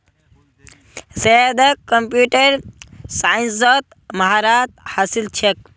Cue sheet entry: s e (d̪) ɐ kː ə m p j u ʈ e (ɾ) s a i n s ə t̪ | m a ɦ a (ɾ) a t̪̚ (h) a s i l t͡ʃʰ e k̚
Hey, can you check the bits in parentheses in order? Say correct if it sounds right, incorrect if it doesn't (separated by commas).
correct, correct, correct, correct